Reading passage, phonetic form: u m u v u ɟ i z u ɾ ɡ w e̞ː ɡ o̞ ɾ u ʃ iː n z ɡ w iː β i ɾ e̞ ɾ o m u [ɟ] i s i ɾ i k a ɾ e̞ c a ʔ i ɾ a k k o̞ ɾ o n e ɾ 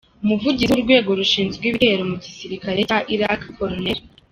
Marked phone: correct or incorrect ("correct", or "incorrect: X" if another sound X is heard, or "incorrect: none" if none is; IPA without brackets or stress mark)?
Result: correct